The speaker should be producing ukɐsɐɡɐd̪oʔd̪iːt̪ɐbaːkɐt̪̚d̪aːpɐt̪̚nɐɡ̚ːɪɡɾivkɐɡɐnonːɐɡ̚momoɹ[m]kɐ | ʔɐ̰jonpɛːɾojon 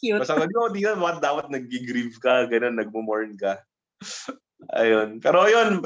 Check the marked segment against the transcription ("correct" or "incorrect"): incorrect